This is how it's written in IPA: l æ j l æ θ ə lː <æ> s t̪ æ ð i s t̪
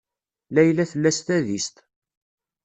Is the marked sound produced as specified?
yes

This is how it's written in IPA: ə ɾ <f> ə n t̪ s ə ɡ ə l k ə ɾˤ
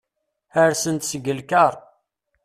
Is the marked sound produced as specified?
no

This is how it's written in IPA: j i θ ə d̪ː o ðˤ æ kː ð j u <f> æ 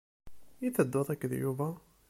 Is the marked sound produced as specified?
no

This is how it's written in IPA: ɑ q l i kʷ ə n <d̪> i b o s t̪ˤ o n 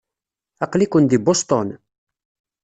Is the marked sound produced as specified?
yes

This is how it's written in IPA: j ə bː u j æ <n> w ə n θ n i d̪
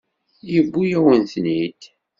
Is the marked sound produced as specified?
no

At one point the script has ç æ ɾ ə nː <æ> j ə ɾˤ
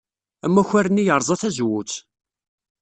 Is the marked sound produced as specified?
no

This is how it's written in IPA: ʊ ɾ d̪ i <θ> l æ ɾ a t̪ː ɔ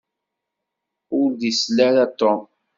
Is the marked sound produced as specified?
no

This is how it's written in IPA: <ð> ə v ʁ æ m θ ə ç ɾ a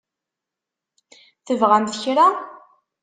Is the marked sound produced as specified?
no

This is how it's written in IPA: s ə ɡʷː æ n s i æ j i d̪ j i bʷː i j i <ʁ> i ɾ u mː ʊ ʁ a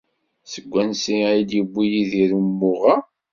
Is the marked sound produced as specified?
no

